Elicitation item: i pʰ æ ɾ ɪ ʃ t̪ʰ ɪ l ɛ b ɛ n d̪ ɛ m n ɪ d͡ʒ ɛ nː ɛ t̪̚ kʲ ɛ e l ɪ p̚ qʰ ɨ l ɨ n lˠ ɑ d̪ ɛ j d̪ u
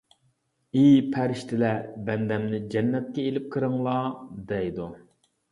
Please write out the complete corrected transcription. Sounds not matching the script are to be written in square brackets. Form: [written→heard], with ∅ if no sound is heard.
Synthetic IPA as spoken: i pʰ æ ɾ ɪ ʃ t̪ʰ ɪ l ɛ b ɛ n d̪ ɛ m n ɪ d͡ʒ ɛ nː ɛ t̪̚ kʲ ɛ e l ɪ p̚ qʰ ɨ [l→ɾ] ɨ [n→ŋ] lˠ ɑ d̪ ɛ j d̪ u